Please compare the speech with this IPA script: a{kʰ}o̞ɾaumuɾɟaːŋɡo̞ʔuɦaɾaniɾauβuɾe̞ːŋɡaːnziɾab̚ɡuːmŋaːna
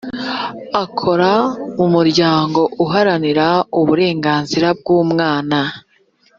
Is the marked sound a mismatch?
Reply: no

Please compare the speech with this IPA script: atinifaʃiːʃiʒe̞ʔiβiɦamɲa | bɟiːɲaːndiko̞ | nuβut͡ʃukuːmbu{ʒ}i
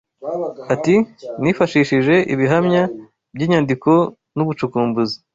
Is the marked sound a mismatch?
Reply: yes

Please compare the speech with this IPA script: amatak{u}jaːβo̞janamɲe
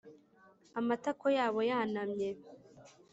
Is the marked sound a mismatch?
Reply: yes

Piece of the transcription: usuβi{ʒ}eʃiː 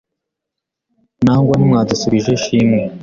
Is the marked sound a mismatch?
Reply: no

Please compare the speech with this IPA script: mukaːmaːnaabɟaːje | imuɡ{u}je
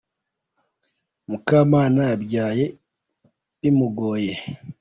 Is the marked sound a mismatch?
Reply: yes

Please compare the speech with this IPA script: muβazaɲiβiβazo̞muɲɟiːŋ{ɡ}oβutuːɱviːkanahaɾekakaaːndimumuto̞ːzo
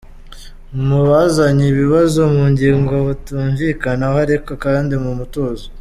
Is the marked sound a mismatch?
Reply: no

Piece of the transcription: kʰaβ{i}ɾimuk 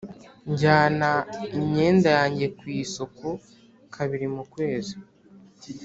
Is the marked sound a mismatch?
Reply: no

